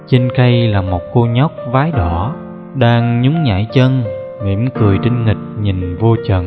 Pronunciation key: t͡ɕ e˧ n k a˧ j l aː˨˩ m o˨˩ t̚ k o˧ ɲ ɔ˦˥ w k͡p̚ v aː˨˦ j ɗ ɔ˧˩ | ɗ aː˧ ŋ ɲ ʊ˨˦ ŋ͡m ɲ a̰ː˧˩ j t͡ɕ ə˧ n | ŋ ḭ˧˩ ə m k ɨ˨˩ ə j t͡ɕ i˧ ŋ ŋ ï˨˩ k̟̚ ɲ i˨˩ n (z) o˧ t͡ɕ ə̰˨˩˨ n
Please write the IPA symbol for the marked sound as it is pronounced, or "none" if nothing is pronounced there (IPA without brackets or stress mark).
v